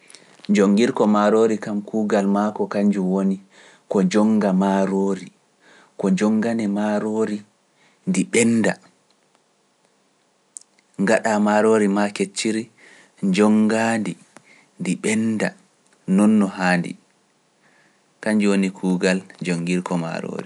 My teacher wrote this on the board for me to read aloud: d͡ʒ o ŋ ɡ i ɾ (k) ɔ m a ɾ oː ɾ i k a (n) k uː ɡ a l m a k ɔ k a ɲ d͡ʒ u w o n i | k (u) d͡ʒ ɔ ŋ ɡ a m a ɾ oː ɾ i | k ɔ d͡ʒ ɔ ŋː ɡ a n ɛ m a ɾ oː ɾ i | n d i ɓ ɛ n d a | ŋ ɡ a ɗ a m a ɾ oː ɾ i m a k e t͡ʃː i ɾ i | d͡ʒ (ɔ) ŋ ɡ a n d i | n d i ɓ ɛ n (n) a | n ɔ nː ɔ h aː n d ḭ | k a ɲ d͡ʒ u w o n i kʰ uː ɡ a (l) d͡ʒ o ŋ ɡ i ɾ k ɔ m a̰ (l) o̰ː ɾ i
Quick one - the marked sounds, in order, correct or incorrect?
correct, incorrect, incorrect, correct, incorrect, correct, incorrect

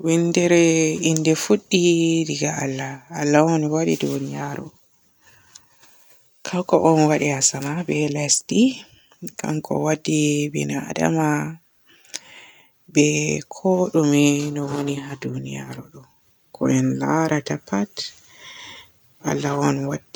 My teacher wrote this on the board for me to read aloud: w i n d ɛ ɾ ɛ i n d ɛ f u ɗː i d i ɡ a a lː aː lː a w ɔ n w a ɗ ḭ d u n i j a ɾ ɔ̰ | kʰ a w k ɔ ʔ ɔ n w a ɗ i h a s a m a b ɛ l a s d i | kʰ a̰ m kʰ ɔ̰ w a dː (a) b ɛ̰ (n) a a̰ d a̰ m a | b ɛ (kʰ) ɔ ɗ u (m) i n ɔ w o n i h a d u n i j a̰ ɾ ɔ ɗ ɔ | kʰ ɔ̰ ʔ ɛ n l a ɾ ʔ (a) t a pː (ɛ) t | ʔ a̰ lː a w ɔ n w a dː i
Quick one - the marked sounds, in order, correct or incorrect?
incorrect, correct, correct, correct, correct, incorrect

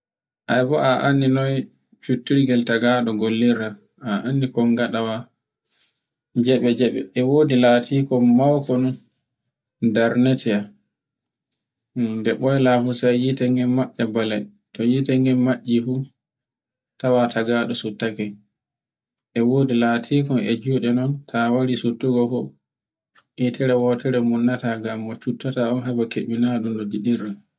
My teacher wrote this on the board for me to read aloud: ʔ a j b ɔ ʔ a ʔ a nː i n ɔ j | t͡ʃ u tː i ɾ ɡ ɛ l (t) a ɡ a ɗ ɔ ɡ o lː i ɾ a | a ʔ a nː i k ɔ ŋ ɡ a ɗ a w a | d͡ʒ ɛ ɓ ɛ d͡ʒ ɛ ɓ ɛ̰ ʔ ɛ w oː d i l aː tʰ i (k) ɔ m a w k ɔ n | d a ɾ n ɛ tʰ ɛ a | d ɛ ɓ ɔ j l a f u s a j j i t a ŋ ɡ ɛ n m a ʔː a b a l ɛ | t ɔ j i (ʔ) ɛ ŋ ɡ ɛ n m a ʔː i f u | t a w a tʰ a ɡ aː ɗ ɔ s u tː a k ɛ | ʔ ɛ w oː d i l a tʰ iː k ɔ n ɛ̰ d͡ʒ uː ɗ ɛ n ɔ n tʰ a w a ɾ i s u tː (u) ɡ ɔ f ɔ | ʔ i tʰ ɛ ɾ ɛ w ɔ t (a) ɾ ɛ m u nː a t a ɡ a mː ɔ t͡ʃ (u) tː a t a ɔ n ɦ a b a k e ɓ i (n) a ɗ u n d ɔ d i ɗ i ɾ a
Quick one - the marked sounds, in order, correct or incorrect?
correct, correct, incorrect, correct, incorrect, correct, correct

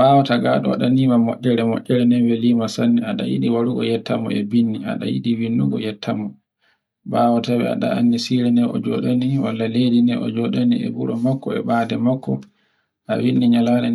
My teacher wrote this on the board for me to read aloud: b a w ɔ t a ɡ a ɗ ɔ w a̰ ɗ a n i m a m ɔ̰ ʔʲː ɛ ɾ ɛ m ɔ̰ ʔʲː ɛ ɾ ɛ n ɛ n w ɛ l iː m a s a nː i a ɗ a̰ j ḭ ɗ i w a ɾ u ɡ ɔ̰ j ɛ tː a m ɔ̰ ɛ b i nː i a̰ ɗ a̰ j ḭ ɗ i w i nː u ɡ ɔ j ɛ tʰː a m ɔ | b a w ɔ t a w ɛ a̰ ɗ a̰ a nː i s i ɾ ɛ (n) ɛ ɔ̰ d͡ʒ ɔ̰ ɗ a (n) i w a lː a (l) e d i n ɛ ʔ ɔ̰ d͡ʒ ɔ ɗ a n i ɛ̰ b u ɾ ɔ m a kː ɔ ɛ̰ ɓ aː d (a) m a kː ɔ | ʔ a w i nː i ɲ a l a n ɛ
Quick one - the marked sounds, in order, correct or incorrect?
correct, correct, correct, incorrect

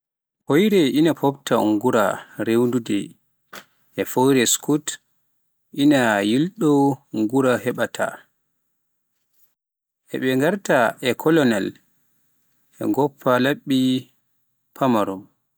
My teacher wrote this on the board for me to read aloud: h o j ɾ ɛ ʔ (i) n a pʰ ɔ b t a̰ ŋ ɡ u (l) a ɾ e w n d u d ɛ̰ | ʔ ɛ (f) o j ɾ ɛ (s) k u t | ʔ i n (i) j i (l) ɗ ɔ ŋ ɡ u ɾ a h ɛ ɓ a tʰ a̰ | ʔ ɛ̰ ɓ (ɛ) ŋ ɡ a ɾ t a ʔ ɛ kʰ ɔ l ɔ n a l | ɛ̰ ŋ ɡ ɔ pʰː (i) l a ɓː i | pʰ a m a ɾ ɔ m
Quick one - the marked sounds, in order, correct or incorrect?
correct, incorrect, correct, correct, incorrect, correct, correct, incorrect

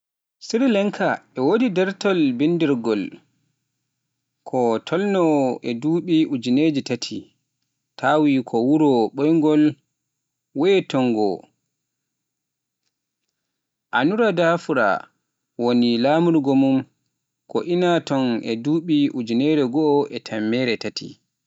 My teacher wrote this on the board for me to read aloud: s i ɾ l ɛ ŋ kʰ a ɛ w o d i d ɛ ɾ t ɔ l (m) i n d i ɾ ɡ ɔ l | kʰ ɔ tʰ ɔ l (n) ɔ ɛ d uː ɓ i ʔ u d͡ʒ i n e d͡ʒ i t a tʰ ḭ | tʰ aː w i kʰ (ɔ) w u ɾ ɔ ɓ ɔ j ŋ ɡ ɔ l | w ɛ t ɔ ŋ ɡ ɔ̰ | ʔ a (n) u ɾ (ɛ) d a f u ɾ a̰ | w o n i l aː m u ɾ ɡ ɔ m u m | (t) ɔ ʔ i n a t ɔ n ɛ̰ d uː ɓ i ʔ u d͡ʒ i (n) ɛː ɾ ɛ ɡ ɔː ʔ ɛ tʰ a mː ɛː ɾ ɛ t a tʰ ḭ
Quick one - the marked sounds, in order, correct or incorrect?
incorrect, correct, correct, correct, incorrect, incorrect, correct

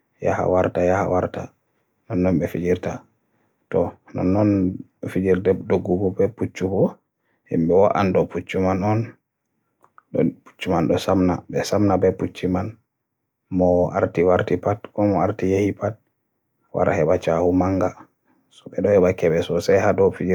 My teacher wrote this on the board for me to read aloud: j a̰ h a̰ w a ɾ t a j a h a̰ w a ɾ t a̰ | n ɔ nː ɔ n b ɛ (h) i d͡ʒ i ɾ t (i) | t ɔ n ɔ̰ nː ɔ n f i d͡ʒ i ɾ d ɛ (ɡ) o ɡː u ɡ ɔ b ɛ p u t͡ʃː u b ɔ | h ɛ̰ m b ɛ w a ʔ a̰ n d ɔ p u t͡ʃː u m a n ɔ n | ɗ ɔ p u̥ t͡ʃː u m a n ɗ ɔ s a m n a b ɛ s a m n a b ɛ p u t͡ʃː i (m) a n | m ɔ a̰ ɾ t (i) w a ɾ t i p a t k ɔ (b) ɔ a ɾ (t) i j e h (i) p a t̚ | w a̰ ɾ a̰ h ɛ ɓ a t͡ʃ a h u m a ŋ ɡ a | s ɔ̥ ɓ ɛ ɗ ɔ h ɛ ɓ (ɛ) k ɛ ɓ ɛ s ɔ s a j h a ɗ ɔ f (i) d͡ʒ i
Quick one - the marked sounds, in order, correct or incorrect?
incorrect, incorrect, incorrect, correct, correct, incorrect, correct, correct, incorrect, correct

